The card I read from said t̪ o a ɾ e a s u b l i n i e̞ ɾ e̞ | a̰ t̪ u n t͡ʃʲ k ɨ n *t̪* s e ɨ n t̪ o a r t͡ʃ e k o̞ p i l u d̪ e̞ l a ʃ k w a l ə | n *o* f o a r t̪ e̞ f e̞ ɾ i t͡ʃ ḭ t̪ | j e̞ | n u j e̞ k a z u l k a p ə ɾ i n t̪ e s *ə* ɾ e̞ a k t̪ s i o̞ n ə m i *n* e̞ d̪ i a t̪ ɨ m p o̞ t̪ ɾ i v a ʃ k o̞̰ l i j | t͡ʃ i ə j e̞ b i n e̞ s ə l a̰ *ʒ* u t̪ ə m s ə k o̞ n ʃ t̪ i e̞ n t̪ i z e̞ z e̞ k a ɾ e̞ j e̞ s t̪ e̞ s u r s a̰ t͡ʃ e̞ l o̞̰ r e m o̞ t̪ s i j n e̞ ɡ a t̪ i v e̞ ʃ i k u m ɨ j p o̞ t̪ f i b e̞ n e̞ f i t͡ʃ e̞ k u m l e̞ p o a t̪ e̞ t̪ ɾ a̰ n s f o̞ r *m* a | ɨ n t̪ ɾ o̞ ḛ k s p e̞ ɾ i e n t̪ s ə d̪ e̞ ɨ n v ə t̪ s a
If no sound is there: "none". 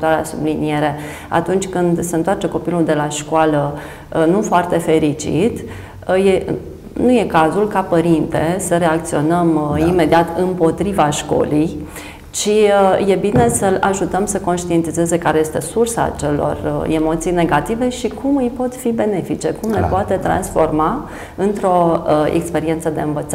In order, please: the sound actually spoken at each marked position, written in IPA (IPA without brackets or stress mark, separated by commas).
d̪, u, ə, m, ʒ, m